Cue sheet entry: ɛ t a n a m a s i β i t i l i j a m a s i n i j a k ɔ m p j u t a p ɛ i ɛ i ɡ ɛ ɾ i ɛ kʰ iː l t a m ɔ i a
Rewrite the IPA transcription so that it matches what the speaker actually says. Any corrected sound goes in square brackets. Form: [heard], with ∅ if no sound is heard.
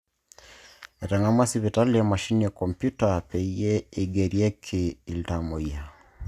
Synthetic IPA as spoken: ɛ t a [ŋ] a m a s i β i t [a] l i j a m a [ʃ] i n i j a k ɔ m p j u t a p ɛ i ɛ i ɡ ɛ ɾ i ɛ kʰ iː l t a m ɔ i a